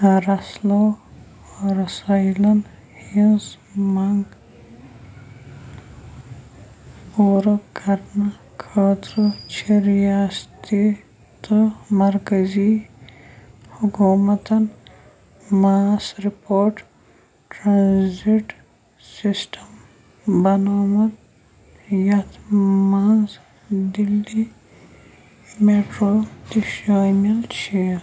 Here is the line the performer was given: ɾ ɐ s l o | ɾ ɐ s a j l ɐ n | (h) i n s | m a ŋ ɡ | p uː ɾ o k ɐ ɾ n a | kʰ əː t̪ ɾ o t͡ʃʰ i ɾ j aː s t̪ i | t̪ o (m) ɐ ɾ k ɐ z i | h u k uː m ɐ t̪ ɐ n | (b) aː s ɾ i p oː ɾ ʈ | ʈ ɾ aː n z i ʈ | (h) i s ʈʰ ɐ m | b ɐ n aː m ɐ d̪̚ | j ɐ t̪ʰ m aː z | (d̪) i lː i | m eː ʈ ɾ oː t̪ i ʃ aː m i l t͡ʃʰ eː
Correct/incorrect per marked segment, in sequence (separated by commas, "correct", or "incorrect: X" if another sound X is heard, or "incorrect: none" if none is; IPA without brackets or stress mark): correct, correct, incorrect: m, incorrect: s, correct